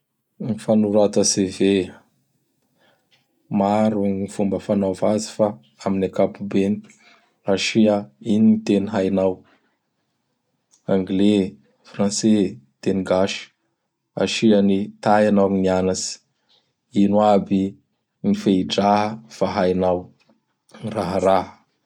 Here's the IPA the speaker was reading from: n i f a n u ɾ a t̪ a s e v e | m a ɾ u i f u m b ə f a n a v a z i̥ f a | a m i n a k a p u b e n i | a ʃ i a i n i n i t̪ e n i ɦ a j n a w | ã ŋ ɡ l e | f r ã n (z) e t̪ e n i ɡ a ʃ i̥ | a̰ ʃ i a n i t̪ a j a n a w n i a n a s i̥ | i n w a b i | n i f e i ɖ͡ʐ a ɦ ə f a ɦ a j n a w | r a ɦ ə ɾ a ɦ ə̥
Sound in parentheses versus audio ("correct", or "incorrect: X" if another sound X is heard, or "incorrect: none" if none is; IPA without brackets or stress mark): incorrect: s